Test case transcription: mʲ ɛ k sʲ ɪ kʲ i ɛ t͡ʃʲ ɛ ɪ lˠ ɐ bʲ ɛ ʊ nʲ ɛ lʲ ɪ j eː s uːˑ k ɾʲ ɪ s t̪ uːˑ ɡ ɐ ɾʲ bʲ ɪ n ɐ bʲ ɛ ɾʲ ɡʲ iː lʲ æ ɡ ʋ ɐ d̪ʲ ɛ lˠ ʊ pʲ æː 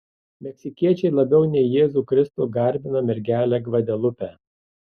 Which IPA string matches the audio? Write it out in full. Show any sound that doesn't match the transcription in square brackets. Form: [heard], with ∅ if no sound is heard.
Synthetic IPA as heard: mʲ ɛ k sʲ ɪ kʲ i ɛ t͡ʃʲ ɛ ɪ lˠ ɐ bʲ ɛ ʊ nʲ ɛ [∅] ɪ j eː [z] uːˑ k ɾʲ ɪ s t̪ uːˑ ɡ ɐ ɾʲ bʲ ɪ n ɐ [mʲ] ɛ ɾʲ ɡʲ [æː] lʲ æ ɡ ʋ ɐ d̪ʲ ɛ lˠ ʊ pʲ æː

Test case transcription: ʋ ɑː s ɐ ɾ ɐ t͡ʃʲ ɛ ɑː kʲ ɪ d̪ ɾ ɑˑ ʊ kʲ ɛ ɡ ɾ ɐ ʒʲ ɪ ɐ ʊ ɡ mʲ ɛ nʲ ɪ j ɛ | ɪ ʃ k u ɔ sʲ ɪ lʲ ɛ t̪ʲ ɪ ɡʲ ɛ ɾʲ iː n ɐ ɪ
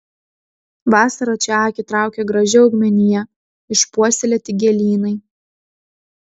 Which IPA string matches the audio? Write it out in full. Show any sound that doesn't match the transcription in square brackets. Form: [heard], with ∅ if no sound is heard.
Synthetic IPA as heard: ʋ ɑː s ɐ ɾ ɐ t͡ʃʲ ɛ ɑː kʲ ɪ [t̪] ɾ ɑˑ ʊ kʲ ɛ ɡ ɾ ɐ ʒʲ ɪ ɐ ʊ ɡ mʲ ɛ nʲ ɪ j ɛ | ɪ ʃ [p] u ɔ sʲ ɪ lʲ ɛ t̪ʲ ɪ ɡʲ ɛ [lʲ] iː n ɐ ɪ

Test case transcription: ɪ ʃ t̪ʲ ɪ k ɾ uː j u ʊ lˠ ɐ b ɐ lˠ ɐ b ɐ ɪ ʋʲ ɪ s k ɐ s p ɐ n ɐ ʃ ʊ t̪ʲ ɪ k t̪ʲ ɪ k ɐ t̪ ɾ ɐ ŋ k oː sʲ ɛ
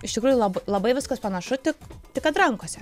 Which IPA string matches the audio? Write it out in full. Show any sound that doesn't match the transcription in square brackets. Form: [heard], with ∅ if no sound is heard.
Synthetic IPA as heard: ɪ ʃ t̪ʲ ɪ k ɾ uː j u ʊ lˠ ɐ b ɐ lˠ ɐ b ɐ ɪ ʋʲ ɪ s k ɐ s p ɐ n ɐ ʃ ʊ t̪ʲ ɪ k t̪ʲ ɪ k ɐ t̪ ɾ ɐ ŋ k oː sʲ ɛ

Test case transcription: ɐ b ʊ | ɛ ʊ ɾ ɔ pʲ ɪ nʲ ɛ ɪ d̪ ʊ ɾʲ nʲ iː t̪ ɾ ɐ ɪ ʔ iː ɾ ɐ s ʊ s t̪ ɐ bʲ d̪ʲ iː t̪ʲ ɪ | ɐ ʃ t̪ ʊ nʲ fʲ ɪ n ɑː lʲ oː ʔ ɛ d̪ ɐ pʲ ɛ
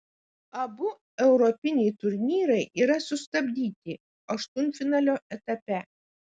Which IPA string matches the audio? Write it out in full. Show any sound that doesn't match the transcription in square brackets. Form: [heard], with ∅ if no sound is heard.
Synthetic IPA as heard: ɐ b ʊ | ɛ ʊ ɾ ɔ pʲ ɪ nʲ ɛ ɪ [t̪] ʊ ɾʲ nʲ iː [∅] ɾ ɐ ɪ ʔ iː ɾ ɐ s ʊ s t̪ ɐ bʲ d̪ʲ iː t̪ʲ ɪ | ɐ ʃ t̪ ʊ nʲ fʲ ɪ n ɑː lʲ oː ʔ ɛ [t̪] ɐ pʲ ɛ

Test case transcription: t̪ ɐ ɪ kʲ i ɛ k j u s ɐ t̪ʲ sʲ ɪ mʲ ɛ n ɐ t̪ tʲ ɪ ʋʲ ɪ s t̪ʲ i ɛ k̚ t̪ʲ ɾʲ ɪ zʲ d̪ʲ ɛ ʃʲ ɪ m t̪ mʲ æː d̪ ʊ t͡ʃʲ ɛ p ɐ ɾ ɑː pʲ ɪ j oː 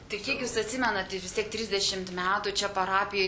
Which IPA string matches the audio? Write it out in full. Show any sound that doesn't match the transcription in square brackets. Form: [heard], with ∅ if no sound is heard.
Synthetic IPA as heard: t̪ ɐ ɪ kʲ i ɛ k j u s ɐ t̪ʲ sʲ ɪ mʲ ɛ n ɐ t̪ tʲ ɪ ʋʲ ɪ s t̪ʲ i ɛ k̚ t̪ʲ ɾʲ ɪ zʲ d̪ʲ ɛ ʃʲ ɪ m t̪ mʲ æː [t̪] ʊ t͡ʃʲ ɛ p ɐ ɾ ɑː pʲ ɪ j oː

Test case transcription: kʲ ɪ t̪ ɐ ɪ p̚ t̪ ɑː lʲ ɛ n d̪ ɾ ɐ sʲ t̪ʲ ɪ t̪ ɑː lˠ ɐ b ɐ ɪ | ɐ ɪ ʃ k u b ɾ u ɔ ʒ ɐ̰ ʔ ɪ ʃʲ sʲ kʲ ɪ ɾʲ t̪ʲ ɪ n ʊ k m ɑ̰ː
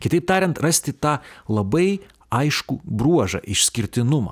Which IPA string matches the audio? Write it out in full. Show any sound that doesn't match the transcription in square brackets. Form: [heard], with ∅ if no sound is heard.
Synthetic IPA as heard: kʲ ɪ t̪ ɐ ɪ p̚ t̪ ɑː [ɾʲ] ɛ n [t̪] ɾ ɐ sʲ t̪ʲ ɪ t̪ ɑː lˠ ɐ b ɐ ɪ | ɐ ɪ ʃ k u b ɾ u ɔ ʒ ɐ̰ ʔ ɪ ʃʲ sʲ kʲ ɪ ɾʲ t̪ʲ ɪ n ʊ [∅] m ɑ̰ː

